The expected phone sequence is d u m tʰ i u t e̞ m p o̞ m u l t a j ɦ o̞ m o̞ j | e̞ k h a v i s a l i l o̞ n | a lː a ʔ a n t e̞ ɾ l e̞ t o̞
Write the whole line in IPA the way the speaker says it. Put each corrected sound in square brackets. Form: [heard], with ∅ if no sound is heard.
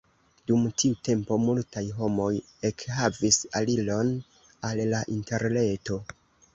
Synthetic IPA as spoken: d u m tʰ i u t e̞ m p o̞ m u l t a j ɦ o̞ m o̞ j | e̞ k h a v i s a l i l o̞ n | a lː a ʔ [i] n t e̞ ɾ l e̞ t o̞